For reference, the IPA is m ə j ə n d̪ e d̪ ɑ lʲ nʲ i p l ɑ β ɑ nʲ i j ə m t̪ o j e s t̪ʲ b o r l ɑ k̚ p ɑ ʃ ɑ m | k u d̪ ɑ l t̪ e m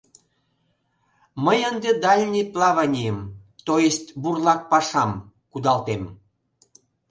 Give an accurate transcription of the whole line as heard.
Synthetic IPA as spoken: m ə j ə n d̪ e d̪ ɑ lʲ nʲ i p l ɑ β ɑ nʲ i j ə m t̪ o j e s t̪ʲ b u r l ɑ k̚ p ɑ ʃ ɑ m | k u d̪ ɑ l t̪ e m